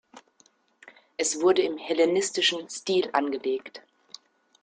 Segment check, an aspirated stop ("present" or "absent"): absent